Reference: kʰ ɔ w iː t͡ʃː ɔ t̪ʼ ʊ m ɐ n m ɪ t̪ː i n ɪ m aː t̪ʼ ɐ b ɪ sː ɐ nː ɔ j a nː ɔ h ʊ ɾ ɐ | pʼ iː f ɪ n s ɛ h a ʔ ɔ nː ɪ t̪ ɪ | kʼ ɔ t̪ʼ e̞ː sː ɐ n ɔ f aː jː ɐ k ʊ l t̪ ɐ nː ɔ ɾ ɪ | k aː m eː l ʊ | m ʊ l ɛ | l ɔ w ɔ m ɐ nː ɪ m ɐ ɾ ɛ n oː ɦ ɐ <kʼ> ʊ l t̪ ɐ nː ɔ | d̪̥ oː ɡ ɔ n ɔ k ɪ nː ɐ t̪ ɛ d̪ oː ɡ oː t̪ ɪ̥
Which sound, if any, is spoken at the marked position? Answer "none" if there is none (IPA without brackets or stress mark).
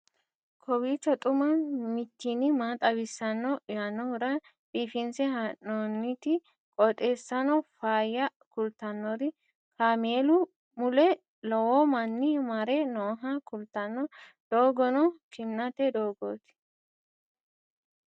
k